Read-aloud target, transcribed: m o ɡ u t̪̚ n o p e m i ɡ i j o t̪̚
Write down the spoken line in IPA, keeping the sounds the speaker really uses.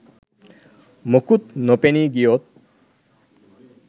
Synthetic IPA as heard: m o k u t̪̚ n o p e n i ɡ i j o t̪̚